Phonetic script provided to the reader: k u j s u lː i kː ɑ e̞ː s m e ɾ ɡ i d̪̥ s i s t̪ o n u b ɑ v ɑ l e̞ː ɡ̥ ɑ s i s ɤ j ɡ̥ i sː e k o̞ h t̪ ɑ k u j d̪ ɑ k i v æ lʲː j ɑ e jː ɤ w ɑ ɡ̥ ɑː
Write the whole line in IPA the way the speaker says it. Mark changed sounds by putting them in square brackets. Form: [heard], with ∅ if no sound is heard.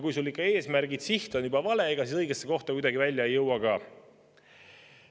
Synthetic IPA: k u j s u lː i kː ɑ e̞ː s m [æ] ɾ ɡ i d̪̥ s i [h] t̪ o n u b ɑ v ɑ l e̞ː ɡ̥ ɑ s i s ɤ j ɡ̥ [e] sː e k o̞ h t̪ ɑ k u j d̪ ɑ [ɡ] i v æ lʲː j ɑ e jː ɤ w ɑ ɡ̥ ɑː